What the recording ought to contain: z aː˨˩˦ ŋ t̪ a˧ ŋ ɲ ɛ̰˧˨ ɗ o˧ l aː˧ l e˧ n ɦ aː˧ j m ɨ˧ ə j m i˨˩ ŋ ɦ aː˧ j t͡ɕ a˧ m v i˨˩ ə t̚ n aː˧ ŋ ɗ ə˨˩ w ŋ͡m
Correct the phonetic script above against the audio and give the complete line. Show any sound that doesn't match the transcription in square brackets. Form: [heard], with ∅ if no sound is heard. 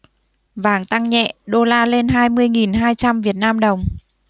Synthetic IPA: [v] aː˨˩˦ ŋ t̪ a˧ ŋ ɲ ɛ̰˧˨ ɗ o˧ l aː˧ l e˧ n ɦ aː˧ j m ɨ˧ ə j [ŋ] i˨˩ [n] ɦ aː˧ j t͡ɕ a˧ m v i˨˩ ə t̚ n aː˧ [m] ɗ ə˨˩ w ŋ͡m

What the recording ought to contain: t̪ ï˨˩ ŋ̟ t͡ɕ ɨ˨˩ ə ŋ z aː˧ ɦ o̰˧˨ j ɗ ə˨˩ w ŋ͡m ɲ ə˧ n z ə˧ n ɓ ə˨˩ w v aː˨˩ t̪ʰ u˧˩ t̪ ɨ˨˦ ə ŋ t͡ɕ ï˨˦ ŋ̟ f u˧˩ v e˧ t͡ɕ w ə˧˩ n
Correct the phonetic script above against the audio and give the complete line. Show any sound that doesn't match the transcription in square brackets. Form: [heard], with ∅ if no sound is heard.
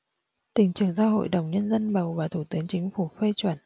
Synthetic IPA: t̪ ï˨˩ ŋ̟ t͡ɕ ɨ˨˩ ə ŋ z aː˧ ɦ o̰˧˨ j ɗ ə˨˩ w ŋ͡m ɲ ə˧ n z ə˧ n ɓ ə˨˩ w v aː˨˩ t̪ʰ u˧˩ t̪ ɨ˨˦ ə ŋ t͡ɕ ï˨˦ ŋ̟ f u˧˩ [f] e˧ t͡ɕ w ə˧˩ n

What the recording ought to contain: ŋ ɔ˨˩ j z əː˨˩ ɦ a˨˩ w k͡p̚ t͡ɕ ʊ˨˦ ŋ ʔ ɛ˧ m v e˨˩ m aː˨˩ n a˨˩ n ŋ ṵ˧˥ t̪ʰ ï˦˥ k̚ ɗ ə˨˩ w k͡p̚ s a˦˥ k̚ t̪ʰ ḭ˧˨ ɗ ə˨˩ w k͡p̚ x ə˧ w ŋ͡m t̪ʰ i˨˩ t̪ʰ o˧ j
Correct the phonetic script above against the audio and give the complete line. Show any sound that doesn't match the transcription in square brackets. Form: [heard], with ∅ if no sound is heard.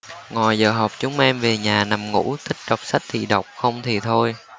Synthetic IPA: ŋ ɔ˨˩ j z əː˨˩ ɦ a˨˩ w k͡p̚ t͡ɕ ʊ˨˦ [ŋ͡m] ʔ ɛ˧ m v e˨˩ [ɲ] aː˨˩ n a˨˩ [m] ŋ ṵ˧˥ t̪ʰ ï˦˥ k̚ ɗ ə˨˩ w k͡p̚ s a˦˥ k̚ t̪ʰ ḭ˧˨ ɗ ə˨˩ w k͡p̚ x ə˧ w ŋ͡m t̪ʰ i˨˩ t̪ʰ o˧ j

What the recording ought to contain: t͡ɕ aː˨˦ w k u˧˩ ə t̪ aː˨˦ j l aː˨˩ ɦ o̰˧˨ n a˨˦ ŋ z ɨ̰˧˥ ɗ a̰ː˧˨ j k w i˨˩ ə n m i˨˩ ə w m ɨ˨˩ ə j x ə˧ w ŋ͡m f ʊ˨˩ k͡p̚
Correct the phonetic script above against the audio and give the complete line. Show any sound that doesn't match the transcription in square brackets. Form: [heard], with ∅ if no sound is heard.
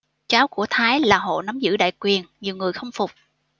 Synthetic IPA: t͡ɕ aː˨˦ w k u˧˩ ə [t̪ʰ] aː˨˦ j l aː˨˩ ɦ o̰˧˨ n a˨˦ [m] z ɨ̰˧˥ ɗ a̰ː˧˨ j k w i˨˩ ə n [ɲ] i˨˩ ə w [ŋ] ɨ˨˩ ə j x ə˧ w ŋ͡m f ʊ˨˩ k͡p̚

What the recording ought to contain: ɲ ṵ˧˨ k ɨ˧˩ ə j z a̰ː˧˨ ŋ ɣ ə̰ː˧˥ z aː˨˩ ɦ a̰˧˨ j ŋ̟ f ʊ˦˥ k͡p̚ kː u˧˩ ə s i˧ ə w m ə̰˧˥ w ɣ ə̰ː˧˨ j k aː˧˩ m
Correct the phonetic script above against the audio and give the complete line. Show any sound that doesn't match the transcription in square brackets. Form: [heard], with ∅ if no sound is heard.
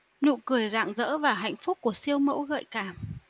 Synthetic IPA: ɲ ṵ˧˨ k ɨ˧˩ ə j z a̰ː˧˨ ŋ [z] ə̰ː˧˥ [v] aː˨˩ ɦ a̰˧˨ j ŋ̟ f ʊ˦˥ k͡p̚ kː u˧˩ ə s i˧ ə w m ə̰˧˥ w ɣ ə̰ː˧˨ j k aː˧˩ m

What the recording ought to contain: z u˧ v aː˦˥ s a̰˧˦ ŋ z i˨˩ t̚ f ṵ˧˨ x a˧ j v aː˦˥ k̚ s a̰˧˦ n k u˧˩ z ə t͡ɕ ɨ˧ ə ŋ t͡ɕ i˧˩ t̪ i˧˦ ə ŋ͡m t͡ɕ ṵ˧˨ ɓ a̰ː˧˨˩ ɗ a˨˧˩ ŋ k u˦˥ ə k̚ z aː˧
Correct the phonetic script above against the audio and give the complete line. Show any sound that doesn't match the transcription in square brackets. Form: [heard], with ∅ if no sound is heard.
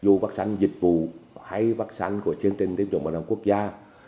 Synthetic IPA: z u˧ v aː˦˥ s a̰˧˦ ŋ z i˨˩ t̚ [v] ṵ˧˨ [h] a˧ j v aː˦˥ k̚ s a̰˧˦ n k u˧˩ [∅] ə t͡ɕ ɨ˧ ə ŋ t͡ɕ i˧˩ t̪ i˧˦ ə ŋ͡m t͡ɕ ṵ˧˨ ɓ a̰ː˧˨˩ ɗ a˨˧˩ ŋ k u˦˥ ə k̚ z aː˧

